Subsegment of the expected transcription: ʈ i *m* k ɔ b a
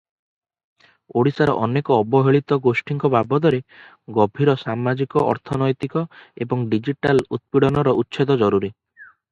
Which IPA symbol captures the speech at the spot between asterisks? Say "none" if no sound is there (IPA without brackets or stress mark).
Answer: ŋ